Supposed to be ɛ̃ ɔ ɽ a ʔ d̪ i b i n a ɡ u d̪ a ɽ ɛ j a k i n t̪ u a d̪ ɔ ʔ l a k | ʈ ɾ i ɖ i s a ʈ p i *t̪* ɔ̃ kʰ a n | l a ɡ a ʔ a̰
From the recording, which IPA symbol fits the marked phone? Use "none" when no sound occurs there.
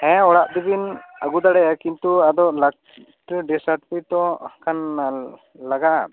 t̪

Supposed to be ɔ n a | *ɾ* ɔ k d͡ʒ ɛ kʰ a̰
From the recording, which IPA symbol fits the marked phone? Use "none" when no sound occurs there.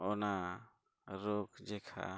ɾ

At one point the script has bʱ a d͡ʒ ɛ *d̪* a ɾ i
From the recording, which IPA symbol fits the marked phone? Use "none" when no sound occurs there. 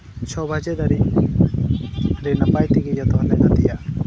d̪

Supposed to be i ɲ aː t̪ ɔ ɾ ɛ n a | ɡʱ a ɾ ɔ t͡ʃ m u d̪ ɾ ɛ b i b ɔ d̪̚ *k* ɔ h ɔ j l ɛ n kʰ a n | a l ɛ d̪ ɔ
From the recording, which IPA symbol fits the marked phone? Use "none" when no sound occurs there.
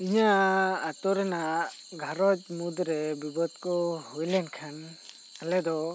k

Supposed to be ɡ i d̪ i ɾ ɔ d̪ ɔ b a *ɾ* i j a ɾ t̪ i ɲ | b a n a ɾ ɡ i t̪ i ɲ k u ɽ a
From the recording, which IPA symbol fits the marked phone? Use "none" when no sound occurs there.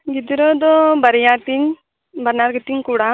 ɾ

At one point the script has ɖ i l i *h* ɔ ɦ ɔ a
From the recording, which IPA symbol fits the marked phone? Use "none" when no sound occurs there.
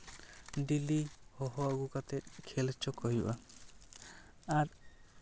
h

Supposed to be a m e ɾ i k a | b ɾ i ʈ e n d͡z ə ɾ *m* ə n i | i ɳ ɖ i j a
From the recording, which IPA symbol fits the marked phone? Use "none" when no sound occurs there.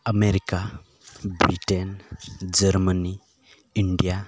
m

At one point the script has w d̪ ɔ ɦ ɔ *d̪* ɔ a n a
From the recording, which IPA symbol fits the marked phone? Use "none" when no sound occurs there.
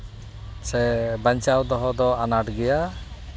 d̪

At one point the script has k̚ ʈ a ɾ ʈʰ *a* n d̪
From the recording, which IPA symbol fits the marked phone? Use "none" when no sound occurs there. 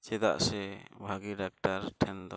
ɛ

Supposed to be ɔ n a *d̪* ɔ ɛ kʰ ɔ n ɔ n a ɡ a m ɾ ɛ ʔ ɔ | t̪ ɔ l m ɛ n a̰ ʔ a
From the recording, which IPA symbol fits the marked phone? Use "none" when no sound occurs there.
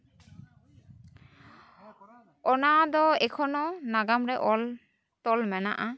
d̪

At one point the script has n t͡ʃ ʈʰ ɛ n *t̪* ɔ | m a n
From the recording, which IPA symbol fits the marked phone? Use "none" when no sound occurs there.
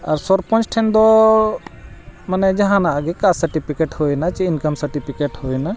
d̪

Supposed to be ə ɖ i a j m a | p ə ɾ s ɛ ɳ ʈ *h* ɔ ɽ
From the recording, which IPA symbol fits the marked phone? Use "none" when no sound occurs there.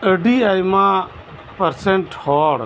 h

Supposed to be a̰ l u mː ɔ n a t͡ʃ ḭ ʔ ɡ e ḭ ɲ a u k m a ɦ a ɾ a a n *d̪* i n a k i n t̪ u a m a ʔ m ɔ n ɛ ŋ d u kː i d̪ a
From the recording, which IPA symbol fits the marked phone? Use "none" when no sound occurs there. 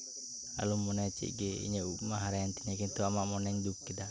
t̪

